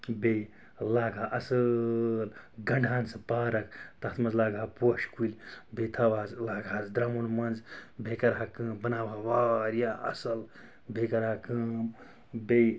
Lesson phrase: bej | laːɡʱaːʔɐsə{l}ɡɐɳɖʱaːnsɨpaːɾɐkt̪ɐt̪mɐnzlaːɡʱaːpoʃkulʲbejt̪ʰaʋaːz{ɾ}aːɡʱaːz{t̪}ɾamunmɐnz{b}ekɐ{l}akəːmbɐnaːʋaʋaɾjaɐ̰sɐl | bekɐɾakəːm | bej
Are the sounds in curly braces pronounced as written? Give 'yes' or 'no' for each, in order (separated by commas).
yes, no, no, yes, no